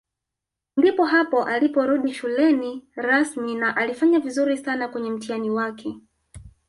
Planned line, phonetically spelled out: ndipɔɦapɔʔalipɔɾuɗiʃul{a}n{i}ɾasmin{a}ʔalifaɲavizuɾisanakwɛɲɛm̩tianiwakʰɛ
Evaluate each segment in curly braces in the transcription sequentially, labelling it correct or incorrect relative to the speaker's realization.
incorrect, correct, correct

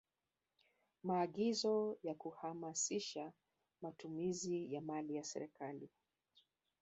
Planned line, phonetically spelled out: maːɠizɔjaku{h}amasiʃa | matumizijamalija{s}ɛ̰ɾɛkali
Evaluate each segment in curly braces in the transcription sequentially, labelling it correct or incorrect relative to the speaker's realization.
correct, correct

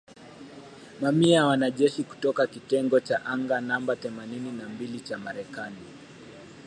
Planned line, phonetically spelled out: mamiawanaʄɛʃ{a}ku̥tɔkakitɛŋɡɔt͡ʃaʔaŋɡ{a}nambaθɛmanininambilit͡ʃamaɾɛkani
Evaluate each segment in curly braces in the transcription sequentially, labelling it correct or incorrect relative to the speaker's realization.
incorrect, correct

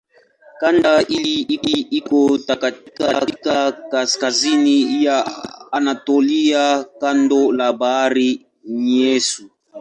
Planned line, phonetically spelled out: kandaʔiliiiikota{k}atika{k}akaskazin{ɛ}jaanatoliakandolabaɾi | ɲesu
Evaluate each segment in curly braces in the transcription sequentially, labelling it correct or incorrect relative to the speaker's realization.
correct, correct, incorrect

